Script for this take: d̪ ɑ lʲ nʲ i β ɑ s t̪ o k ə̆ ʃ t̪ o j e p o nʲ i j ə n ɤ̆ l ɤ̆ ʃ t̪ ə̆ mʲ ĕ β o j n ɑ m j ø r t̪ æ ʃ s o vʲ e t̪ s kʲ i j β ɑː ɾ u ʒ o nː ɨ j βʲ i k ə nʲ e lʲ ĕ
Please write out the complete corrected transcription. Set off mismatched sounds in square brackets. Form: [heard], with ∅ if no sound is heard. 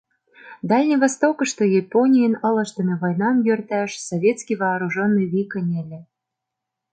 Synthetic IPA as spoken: d̪ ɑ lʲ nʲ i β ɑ s t̪ o k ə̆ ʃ t̪ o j e p o nʲ i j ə n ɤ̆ l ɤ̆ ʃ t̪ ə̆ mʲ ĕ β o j n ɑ m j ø r t̪ æ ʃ s o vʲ e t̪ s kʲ i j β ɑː ɾ u ʒ o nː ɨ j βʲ i k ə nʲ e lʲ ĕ